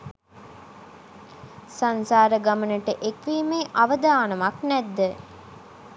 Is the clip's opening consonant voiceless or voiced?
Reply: voiceless